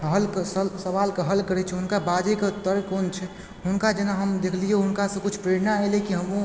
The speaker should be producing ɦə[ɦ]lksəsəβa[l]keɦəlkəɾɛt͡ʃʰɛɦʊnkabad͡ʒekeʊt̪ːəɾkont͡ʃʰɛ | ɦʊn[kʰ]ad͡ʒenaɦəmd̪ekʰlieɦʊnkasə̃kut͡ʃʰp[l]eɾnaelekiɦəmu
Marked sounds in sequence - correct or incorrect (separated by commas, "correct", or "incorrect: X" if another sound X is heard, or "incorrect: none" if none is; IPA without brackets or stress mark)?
incorrect: none, correct, incorrect: k, incorrect: ɾ